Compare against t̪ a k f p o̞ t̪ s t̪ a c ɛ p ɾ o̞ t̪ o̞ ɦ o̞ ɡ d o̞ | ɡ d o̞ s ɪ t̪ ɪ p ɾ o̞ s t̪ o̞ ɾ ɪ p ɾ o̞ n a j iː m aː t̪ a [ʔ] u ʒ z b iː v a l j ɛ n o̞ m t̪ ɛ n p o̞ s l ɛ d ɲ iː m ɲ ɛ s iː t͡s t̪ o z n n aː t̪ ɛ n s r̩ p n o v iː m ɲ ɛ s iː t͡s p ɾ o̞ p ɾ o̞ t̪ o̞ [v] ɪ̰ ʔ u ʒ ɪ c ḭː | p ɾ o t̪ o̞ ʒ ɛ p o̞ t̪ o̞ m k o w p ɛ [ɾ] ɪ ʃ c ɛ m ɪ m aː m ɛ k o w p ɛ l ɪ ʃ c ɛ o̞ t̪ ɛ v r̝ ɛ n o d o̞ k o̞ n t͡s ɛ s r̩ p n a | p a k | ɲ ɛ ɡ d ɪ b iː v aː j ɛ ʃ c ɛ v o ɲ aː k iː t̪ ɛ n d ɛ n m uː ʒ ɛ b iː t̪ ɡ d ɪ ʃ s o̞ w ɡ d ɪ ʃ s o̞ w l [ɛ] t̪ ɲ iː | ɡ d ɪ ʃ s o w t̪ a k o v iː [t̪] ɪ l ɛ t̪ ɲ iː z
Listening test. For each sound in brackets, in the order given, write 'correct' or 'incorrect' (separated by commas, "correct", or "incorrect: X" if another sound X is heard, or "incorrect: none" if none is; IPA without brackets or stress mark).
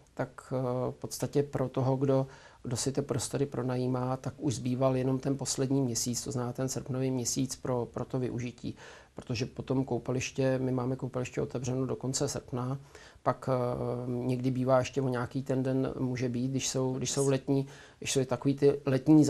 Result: incorrect: k, correct, incorrect: l, correct, correct